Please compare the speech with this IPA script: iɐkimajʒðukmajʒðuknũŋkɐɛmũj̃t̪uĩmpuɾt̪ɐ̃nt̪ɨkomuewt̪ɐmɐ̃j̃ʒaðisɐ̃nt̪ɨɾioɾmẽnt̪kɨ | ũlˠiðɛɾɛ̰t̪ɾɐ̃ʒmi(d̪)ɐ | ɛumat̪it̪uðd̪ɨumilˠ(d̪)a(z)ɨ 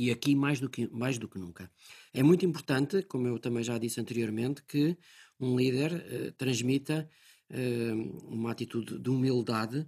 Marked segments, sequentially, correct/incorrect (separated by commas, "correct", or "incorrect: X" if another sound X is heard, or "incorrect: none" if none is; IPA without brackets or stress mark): incorrect: t̪, correct, incorrect: ð